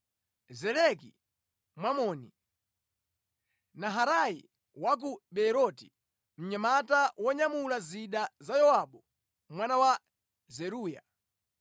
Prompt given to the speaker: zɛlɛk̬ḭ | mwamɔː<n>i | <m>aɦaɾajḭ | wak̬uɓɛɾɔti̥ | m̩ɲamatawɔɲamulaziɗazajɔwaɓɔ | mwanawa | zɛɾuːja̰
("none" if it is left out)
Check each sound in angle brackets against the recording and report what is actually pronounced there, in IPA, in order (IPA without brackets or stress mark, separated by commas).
n, n